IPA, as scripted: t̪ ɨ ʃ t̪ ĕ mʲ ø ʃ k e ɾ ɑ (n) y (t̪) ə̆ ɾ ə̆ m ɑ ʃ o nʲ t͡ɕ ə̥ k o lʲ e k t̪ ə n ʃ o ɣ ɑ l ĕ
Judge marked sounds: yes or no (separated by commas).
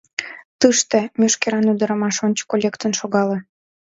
yes, no